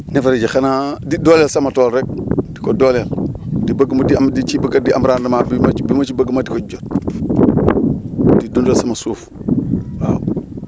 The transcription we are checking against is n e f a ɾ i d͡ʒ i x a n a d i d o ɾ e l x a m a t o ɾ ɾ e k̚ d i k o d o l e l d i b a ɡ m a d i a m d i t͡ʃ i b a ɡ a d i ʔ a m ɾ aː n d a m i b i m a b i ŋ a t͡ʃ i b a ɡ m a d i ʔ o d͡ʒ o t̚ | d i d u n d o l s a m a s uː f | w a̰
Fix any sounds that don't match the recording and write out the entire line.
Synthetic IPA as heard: n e f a ɾ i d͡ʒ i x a n a d i d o l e l s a m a t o l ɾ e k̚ d i k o d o l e l d i b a ɡ m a d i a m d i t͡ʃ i b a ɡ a d i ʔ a m ɾ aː n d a m a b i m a b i m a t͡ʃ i b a ɡ m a d i k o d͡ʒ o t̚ | d i d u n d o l s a m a s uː f | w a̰